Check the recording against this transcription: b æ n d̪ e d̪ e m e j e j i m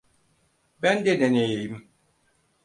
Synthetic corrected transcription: b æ n d̪ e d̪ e n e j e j i m